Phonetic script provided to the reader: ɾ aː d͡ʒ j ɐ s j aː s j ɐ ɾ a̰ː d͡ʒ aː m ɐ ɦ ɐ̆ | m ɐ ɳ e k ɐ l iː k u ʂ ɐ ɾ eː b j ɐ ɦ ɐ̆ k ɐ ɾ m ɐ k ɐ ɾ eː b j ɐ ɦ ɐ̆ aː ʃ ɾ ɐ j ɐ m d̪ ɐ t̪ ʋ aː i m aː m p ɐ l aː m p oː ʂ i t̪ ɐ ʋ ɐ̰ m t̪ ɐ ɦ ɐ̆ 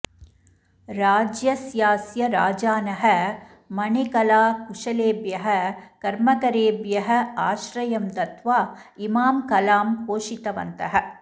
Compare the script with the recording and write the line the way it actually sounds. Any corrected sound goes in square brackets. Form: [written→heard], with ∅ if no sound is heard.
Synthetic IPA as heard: ɾ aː d͡ʒ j ɐ s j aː s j ɐ ɾ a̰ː d͡ʒ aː [m→n] ɐ ɦ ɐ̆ | m ɐ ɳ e k ɐ l [iː→aː] k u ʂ ɐ [ɾ→l] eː b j ɐ ɦ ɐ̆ k ɐ ɾ m ɐ k ɐ ɾ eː b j ɐ ɦ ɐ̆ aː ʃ ɾ ɐ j ɐ m d̪ ɐ t̪ ʋ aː i m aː m [p→k] ɐ l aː m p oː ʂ i t̪ ɐ ʋ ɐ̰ [m→n] t̪ ɐ ɦ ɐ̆